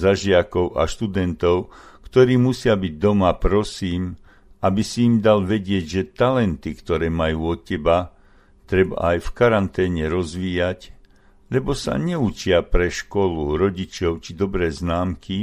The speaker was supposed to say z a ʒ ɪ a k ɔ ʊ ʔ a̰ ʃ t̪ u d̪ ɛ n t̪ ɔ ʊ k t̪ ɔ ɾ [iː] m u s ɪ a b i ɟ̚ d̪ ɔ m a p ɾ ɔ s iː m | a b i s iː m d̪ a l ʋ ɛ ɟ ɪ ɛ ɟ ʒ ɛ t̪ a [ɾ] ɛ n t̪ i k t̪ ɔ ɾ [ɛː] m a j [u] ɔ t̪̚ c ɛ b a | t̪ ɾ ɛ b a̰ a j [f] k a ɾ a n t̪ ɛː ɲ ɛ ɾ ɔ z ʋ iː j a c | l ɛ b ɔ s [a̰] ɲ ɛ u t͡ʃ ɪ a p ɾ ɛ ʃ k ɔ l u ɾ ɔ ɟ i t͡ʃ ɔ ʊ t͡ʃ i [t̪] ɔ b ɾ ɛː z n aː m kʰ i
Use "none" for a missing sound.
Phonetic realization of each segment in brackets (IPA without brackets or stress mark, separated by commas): iː, l, ɛː, uː, f, a̰, d̪